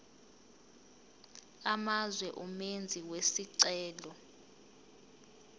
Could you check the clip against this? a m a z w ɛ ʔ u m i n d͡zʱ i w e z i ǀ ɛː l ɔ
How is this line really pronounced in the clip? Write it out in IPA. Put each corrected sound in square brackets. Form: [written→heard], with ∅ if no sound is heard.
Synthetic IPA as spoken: a m a z w ɛ ʔ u m [i→e] n d͡zʱ i w e [z→s] i ǀ ɛː l ɔ